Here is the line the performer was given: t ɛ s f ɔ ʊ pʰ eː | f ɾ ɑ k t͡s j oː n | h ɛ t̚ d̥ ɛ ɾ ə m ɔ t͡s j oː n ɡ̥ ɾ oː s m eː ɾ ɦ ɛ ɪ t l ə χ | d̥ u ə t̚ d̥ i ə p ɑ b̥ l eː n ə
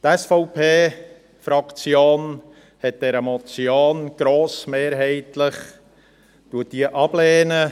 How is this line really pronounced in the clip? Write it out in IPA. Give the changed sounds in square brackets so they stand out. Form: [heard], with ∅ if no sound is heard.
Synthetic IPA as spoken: t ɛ s f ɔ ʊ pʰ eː | f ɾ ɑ k t͡s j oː n | h ɛ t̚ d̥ ɛ ɾ ə m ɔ t͡s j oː n ɡ̥ ɾ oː s m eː ɾ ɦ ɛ ɪ t l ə χ | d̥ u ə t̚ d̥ i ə [ʔ] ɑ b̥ l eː n ə